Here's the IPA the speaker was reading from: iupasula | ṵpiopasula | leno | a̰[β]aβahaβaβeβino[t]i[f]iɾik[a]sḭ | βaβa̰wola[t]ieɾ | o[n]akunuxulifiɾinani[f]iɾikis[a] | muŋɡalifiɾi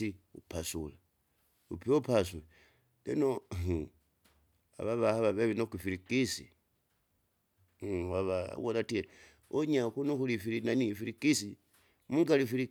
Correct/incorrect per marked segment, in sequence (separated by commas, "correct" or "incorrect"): correct, incorrect, correct, incorrect, correct, incorrect, correct, incorrect